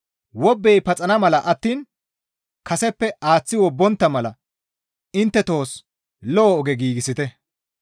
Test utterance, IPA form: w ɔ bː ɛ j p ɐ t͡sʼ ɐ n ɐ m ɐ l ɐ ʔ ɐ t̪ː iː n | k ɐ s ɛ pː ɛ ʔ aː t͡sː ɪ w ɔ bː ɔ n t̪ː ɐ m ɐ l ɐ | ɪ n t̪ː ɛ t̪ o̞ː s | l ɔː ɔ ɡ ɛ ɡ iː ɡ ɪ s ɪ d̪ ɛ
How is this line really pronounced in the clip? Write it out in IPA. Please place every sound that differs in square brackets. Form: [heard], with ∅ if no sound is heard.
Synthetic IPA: w ɔ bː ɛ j p ɐ t͡sʼ ɐ n ɐ m ɐ l ɐ ʔ ɐ t̪ː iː n | k ɐ s ɛ pː ɛ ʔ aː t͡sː ɪ w ɔ bː ɔ n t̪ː ɐ m ɐ l ɐ | ɪ n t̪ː ɛ t̪ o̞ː s | l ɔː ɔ ɡ ɛ ɡ iː ɡ ɪ s ɪ [t̪] ɛ

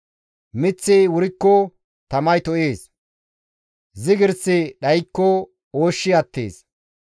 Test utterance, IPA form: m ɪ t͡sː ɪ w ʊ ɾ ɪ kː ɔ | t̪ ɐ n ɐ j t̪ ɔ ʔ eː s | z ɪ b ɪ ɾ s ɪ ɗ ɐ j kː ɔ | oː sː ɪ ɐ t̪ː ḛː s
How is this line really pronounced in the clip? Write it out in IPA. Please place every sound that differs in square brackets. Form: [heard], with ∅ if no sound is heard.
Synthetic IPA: m ɪ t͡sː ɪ w ʊ ɾ ɪ kː ɔ | t̪ ɐ [m] ɐ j t̪ ɔ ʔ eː s | z ɪ [ɡ] ɪ ɾ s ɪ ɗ ɐ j kː ɔ | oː [ʃː] ɪ ɐ t̪ː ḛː s

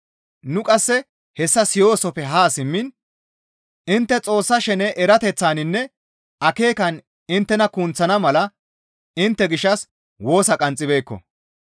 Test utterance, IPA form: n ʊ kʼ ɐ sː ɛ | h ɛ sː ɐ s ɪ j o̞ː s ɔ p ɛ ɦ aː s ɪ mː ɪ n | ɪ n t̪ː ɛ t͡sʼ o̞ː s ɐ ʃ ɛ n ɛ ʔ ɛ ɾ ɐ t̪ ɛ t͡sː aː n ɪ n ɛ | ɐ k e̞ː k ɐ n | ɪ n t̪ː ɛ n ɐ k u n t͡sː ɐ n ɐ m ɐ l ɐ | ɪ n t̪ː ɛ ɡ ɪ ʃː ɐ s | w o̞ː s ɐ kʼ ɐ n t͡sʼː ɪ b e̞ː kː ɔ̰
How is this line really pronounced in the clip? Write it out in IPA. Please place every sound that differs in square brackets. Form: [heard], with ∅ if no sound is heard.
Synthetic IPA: n ʊ kʼ ɐ sː ɛ | h ɛ sː ɐ s ɪ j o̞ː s ɔ p ɛ ɦ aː s ɪ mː ɪ n | ɪ n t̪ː ɛ t͡sʼ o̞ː [sː] ɐ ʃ ɛ n ɛ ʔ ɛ ɾ ɐ t̪ ɛ t͡sː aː n ɪ [nː] ɛ | ɐ k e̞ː k ɐ n | ɪ n t̪ː ɛ n ɐ k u n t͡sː ɐ n ɐ m ɐ l ɐ | ɪ n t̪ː ɛ ɡ ɪ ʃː ɐ s | w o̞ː s ɐ kʼ ɐ n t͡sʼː ɪ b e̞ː kː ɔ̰

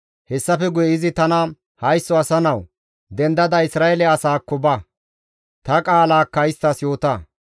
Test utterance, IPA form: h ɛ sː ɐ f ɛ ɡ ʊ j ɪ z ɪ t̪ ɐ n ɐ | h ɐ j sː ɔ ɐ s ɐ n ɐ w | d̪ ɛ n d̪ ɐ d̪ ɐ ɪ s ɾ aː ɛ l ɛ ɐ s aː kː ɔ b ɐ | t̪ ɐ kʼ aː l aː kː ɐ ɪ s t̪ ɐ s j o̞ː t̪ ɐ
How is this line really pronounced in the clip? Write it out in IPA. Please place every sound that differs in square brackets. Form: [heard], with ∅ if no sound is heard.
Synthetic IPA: h ɛ sː ɐ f ɛ ɡ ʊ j ɪ z ɪ t̪ ɐ n ɐ | h ɐ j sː ɔ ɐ s ɐ n ɐ w | d̪ ɛ n d̪ ɐ d̪ ɐ ɪ s ɾ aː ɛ l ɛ ɐ s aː kː ɔ b ɐ | t̪ ɐ kʼ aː l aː kː ɐ ɪ s t̪ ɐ s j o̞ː t̪ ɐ

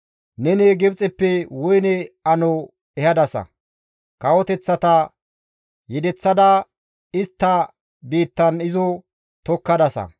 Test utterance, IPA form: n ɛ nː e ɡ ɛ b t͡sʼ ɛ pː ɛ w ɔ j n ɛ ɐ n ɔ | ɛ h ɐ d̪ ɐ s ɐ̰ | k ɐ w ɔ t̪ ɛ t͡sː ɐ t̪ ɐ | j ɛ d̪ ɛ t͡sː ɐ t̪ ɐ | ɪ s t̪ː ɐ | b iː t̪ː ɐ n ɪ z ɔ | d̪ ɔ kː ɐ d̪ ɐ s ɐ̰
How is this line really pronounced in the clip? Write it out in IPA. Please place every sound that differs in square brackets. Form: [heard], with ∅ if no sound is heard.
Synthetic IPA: n ɛ [n] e ɡ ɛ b t͡sʼ ɛ pː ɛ w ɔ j n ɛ ɐ n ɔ | ɛ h ɐ d̪ ɐ s ɐ̰ | k ɐ w ɔ t̪ ɛ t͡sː ɐ t̪ ɐ | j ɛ d̪ ɛ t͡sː ɐ [d̪] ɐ | ɪ s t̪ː ɐ | b iː t̪ː ɐ n ɪ z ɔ | [t̪] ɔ kː ɐ d̪ ɐ s ɐ̰

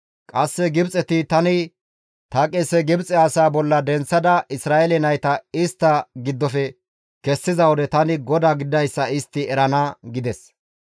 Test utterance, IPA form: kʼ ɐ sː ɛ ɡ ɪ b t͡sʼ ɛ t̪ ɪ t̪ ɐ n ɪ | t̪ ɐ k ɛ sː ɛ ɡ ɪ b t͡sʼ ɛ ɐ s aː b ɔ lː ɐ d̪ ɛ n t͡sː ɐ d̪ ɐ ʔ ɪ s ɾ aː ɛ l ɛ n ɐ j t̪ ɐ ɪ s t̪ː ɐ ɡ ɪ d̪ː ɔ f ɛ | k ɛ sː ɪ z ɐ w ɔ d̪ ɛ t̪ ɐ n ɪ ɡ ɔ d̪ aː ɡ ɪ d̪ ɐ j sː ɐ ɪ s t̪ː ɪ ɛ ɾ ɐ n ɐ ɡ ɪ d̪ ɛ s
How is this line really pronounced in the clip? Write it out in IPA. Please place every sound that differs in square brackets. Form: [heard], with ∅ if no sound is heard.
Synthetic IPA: kʼ ɐ sː ɛ ɡ ɪ b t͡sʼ ɛ t̪ ɪ t̪ ɐ n ɪ | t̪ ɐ [kʼ] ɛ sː ɛ ɡ ɪ b t͡sʼ ɛ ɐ s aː b ɔ lː ɐ d̪ ɛ n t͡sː ɐ d̪ ɐ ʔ ɪ s ɾ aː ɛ l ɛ n ɐ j t̪ ɐ ɪ s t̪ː ɐ ɡ ɪ d̪ː ɔ f ɛ | k ɛ sː ɪ z ɐ w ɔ d̪ ɛ t̪ ɐ n ɪ ɡ ɔ d̪ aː ɡ ɪ d̪ ɐ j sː ɐ ɪ s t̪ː ɪ ɛ ɾ ɐ n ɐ ɡ ɪ d̪ ɛ s

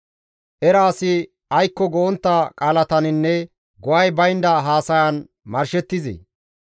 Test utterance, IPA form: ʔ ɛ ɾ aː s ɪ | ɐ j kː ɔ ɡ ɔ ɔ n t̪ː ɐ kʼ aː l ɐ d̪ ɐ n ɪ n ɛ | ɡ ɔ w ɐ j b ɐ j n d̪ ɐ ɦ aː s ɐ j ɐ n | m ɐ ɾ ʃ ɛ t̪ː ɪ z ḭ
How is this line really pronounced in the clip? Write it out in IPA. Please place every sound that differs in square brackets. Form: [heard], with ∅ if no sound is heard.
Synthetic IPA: ʔ ɛ ɾ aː s ɪ | ɐ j kː ɔ ɡ ɔ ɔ n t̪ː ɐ kʼ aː l ɐ [t̪] ɐ n ɪ [nː] ɛ | ɡ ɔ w ɐ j b ɐ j n d̪ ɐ ɦ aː s ɐ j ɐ n | m ɐ ɾ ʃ ɛ t̪ː ɪ z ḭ

